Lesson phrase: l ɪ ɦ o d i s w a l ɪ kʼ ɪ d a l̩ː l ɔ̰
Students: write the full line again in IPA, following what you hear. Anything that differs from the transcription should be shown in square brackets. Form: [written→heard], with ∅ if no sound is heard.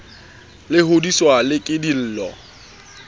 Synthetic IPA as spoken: l ɪ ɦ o d i s w a l ɪ kʼ ɪ d [a→i] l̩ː l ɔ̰